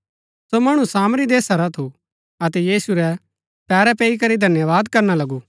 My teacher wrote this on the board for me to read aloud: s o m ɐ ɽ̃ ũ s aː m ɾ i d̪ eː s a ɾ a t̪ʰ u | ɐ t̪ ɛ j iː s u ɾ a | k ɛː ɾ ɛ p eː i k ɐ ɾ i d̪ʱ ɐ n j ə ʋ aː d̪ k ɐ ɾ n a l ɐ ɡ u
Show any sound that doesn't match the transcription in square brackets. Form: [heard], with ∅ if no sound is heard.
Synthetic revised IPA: s o m ɐ ɽ̃ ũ s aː m ɾ i d̪ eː s a ɾ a t̪ʰ u | ɐ t̪ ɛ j iː s u ɾ [ɛ] | [p] ɛː ɾ ɛ p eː i k ɐ ɾ i d̪ʱ ɐ n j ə ʋ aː d̪ k ɐ ɾ n a l ɐ ɡ u